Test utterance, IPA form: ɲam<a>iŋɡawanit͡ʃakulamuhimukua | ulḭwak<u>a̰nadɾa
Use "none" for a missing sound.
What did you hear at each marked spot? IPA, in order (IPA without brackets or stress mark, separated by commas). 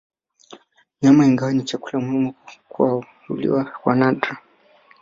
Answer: a, w